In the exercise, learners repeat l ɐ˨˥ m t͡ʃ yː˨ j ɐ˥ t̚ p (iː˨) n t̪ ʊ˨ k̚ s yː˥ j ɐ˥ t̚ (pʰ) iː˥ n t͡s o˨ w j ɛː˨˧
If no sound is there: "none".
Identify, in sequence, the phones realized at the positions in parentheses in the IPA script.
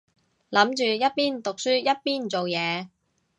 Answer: iː˥, p

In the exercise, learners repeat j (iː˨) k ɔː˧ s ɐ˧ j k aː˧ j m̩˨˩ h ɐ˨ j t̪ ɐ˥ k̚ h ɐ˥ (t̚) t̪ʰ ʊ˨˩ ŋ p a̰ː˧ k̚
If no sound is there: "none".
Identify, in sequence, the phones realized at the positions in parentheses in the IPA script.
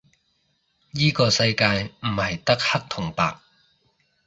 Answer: iː˥, k̚

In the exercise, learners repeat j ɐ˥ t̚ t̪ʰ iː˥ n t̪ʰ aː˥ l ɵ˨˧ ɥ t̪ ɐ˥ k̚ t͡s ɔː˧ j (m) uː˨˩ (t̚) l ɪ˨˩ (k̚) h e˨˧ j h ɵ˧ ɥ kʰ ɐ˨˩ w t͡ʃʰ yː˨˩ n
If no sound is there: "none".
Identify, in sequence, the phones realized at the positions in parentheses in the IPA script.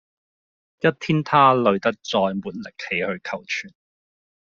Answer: m, t̚, k̚

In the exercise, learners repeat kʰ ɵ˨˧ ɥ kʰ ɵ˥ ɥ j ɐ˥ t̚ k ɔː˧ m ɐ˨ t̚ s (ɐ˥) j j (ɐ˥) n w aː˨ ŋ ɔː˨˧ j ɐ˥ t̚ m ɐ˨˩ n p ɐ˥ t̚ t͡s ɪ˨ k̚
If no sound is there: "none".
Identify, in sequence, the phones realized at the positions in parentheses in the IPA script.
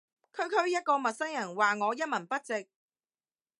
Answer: ɐ˥, ɐ˨˩

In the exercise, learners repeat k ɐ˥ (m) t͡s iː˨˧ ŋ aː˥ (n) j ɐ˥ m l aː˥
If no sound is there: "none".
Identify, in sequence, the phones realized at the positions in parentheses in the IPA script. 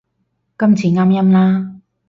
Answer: m, m

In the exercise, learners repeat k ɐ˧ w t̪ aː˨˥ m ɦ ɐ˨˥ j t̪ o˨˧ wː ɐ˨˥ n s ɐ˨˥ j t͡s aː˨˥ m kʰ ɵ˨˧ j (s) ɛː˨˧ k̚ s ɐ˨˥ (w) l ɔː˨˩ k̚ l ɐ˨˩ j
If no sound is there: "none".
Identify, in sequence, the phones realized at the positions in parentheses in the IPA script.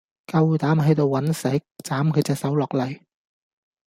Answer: t͡s, w

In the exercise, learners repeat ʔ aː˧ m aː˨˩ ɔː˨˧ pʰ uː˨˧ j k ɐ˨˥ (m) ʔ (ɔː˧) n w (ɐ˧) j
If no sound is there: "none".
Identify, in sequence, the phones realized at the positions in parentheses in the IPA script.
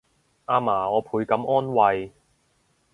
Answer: m, ɔː˥, ɐ˧

